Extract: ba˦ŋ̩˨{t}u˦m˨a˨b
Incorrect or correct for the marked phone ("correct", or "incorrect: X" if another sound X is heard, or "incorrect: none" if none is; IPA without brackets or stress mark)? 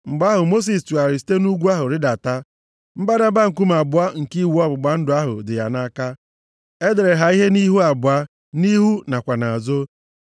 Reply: incorrect: k